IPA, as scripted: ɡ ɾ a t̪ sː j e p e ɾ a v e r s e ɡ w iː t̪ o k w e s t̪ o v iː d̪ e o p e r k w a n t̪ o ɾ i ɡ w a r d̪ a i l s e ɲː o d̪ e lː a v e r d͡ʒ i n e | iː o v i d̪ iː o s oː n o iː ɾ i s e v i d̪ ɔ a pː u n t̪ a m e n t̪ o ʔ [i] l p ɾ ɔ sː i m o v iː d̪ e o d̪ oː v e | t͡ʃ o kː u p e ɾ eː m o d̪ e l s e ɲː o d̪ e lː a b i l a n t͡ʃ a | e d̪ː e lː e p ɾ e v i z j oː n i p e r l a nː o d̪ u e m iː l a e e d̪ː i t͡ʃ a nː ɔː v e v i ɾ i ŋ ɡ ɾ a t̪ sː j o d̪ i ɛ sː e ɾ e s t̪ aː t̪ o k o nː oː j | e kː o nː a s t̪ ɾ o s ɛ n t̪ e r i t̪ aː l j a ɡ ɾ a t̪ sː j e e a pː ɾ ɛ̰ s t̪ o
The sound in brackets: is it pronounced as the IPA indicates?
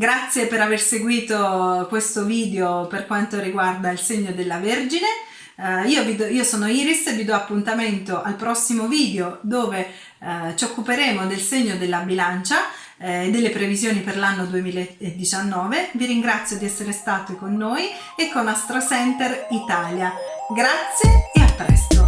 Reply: no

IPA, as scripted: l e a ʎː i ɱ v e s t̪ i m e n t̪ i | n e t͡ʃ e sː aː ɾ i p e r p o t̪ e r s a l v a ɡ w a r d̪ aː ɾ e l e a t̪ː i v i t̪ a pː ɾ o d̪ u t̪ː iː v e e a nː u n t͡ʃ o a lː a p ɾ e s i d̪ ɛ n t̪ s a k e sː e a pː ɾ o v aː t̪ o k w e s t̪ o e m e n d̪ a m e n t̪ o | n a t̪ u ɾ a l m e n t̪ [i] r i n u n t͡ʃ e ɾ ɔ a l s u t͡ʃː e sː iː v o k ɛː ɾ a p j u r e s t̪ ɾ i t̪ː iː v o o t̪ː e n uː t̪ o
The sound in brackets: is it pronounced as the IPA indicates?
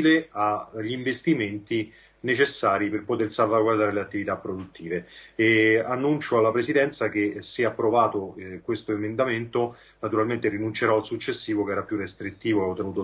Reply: no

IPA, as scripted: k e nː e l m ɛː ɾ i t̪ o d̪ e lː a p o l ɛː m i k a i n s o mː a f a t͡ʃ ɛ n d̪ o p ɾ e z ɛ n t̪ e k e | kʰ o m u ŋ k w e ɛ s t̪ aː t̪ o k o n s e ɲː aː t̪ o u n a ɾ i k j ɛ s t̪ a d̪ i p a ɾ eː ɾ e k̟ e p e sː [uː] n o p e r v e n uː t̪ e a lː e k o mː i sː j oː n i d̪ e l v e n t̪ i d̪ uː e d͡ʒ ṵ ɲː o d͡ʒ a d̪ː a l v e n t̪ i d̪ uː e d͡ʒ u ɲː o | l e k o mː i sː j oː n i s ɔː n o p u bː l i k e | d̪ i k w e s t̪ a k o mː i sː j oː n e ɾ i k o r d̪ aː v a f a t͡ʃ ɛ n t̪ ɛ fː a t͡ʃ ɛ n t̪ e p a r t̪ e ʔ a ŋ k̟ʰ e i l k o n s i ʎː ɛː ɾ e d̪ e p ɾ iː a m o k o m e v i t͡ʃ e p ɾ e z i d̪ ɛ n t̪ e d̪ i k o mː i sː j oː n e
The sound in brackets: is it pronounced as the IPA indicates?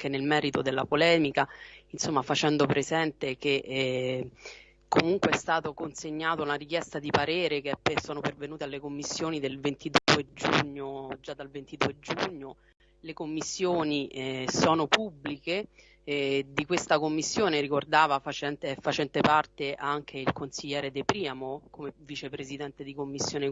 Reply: no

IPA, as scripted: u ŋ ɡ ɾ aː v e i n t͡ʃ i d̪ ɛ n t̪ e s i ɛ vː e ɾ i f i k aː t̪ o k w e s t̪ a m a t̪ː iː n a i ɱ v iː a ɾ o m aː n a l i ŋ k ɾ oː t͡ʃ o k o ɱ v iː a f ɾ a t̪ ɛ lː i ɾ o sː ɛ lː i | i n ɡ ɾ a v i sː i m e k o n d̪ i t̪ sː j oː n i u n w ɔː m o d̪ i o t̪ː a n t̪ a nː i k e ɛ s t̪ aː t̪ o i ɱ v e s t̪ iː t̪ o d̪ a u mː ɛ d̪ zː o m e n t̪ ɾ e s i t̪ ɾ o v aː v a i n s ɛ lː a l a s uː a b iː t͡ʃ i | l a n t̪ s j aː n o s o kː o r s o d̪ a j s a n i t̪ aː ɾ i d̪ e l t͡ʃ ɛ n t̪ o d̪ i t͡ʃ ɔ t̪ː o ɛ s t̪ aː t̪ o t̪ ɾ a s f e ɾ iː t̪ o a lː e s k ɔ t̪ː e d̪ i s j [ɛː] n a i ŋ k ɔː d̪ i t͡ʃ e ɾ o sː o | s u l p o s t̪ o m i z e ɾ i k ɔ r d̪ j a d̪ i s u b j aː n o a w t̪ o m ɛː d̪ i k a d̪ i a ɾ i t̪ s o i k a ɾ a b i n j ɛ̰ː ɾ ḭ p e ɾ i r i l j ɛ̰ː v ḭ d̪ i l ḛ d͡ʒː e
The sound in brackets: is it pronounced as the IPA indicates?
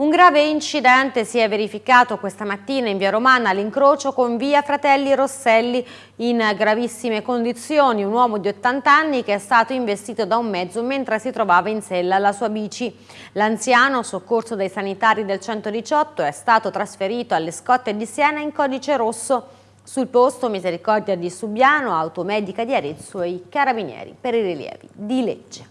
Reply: yes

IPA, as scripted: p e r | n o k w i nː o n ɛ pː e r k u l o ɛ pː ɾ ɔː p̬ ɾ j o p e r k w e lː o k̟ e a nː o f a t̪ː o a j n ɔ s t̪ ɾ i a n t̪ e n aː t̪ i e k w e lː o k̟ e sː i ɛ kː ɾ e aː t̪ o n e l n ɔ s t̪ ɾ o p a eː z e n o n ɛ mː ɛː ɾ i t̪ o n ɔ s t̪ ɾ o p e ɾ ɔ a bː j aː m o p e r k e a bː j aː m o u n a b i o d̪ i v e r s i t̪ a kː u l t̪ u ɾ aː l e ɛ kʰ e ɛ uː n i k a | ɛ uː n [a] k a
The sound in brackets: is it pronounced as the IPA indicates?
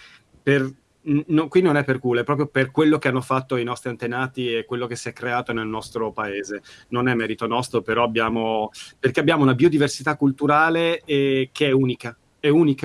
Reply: no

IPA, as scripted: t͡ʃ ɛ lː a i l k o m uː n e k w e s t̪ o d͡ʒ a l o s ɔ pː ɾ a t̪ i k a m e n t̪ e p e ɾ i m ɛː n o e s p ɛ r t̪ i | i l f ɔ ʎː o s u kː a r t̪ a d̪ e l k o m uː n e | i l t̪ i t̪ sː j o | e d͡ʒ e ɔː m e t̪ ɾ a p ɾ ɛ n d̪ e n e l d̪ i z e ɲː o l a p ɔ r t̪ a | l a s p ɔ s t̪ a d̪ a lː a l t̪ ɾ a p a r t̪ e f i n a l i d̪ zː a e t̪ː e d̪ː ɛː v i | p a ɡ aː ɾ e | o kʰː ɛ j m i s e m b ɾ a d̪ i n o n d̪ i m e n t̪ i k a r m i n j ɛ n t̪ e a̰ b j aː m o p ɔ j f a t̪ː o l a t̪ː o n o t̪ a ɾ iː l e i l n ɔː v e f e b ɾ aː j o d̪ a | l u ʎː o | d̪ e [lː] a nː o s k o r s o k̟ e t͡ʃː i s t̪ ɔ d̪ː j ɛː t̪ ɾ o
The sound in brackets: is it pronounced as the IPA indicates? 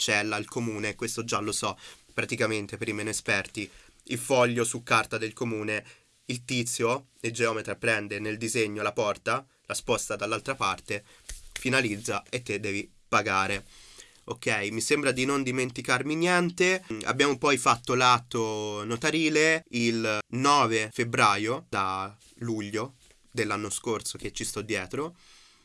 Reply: yes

